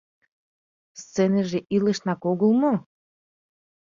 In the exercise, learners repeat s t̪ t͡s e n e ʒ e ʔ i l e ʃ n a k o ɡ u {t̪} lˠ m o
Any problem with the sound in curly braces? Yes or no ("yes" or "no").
yes